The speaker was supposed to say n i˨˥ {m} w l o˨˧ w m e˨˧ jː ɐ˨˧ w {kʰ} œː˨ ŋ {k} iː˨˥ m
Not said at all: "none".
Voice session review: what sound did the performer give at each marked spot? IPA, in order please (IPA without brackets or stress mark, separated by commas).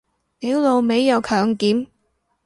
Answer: none, kʰ, k